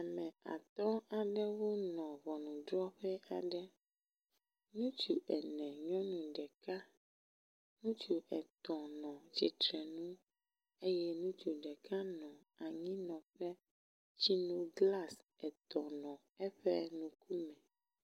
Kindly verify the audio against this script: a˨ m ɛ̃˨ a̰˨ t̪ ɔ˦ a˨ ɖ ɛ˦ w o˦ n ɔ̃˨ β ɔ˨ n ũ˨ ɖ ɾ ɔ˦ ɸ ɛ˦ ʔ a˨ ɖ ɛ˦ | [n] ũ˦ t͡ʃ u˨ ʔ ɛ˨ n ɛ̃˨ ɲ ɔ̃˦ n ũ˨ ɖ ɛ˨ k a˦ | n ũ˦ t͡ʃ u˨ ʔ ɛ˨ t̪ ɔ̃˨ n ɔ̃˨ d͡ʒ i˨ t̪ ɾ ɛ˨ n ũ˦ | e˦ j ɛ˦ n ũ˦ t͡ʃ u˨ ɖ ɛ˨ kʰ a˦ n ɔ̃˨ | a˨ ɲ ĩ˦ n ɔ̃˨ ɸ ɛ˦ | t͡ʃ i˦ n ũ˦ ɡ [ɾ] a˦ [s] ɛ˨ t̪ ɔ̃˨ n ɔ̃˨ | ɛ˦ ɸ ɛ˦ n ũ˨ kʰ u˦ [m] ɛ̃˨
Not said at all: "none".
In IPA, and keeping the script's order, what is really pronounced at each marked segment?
n, l, s, m

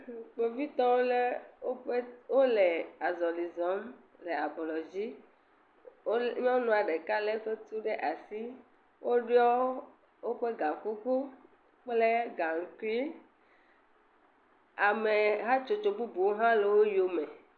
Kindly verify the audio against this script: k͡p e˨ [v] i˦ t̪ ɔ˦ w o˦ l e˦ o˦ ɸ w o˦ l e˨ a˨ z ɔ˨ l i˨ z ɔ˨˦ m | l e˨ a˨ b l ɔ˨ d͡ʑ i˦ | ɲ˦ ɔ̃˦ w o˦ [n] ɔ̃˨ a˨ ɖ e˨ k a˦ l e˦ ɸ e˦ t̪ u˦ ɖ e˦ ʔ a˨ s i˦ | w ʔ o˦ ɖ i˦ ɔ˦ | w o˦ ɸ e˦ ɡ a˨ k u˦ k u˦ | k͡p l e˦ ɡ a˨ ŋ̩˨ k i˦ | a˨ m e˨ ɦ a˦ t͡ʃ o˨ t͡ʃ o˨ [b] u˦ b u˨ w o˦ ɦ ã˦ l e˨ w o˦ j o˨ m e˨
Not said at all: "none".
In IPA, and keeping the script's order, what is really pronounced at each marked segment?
v, n, b

